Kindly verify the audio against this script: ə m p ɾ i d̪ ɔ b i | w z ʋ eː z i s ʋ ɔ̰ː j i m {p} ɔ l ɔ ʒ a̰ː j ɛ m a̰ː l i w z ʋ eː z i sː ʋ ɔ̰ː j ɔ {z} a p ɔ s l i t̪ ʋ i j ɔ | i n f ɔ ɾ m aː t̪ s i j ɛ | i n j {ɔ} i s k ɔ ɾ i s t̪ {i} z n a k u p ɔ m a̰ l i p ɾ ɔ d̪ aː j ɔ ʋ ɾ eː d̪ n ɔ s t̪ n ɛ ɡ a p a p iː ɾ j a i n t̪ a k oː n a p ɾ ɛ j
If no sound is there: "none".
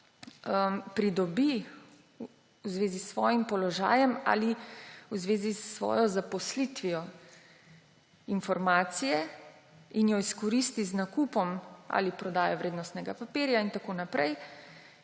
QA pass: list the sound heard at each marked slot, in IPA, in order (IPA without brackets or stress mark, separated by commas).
p, z, ɔ, i